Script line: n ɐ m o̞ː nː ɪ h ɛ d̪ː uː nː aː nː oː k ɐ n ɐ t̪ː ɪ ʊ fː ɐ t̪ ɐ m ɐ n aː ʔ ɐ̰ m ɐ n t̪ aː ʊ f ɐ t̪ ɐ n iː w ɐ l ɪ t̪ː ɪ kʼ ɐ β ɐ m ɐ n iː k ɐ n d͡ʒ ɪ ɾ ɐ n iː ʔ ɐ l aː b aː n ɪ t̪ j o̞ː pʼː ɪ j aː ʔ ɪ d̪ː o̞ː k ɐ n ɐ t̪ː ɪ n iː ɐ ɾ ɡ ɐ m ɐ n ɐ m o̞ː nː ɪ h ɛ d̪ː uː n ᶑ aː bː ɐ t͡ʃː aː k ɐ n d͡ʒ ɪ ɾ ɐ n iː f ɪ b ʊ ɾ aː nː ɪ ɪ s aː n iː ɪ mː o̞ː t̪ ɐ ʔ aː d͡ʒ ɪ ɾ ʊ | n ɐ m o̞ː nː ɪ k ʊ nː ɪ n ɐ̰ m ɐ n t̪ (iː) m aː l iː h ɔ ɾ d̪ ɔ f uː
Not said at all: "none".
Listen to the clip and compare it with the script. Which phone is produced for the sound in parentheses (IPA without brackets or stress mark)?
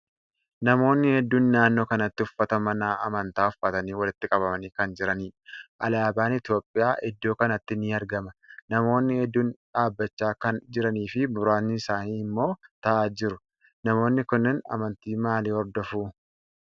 iː